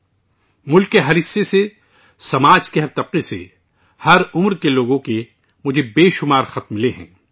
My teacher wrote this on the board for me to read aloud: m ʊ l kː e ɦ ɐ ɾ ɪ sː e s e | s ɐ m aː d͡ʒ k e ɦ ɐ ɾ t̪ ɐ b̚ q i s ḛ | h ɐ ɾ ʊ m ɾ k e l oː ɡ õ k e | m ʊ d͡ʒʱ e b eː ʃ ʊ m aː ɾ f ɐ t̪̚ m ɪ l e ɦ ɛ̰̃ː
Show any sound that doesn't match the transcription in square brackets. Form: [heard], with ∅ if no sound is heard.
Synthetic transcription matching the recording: m ʊ l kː e ɦ ɐ ɾ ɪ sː e s e | s ɐ m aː d͡ʒ k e ɦ ɐ ɾ t̪ ɐ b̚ q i s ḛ | h ɐ ɾ ʊ m ɾ k e l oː ɡ õ k e | m ʊ d͡ʒʱ e b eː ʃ ʊ m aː ɾ [x] ɐ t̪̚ m ɪ l e ɦ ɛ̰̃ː